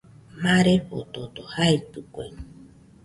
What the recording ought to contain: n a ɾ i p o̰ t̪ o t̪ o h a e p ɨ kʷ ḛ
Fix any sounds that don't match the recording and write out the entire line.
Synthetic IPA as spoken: m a ɾ e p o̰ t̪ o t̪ o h a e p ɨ kʷ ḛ